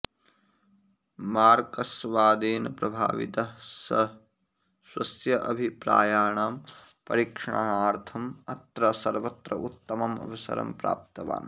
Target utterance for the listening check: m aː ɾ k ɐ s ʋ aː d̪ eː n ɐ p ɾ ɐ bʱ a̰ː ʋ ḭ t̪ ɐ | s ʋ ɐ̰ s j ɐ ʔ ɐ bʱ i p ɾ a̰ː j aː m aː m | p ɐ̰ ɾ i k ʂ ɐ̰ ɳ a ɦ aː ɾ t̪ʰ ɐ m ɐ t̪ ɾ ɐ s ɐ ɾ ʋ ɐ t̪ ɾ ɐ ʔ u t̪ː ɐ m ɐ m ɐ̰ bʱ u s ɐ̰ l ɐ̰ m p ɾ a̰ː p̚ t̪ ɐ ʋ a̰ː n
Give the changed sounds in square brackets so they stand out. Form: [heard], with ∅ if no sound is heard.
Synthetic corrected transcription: m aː ɾ k ɐ s ʋ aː d̪ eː n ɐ p ɾ ɐ bʱ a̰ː ʋ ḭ t̪ ɐ | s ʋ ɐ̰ s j ɐ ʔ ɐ bʱ i p ɾ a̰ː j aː [ɳ] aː m | p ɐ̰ ɾ i k ʂ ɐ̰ ɳ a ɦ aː ɾ t̪ʰ ɐ m ɐ t̪ ɾ ɐ s ɐ ɾ ʋ ɐ t̪ ɾ ɐ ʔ u t̪ː ɐ m ɐ m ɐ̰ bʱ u s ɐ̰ [ɾ] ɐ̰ m p ɾ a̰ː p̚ t̪ ɐ ʋ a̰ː n